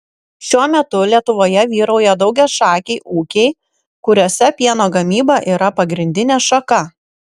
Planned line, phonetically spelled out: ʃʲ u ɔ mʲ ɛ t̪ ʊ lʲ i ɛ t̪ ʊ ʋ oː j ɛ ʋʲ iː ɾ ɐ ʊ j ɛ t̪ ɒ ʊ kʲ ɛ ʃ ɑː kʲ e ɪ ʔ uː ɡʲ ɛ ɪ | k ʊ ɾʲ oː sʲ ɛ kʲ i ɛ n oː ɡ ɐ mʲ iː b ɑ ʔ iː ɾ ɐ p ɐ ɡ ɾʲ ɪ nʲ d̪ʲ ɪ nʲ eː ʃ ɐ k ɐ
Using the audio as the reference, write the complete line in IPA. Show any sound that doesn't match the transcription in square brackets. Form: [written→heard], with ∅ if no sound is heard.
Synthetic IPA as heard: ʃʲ u ɔ mʲ ɛ t̪ ʊ lʲ i ɛ t̪ ʊ ʋ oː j ɛ ʋʲ iː ɾ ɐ ʊ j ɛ [t̪→d̪] ɒ ʊ [kʲ→ɡʲ] ɛ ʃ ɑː kʲ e ɪ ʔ uː [ɡʲ→kʲ] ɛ ɪ | k ʊ ɾʲ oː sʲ ɛ [kʲ→pʲ] i ɛ n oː ɡ ɐ mʲ iː b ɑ ʔ iː ɾ ɐ p ɐ ɡ ɾʲ ɪ nʲ d̪ʲ ɪ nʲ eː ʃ ɐ k ɐ